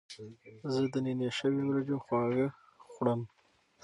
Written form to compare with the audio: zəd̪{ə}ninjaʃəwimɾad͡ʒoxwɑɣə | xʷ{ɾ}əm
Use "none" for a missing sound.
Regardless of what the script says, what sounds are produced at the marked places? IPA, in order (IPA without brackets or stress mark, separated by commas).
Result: ə, ɽ